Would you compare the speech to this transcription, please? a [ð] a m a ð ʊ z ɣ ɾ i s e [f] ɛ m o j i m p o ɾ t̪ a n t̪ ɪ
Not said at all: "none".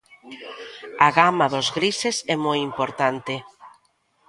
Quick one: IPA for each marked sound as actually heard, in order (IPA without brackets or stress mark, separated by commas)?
ɣ, s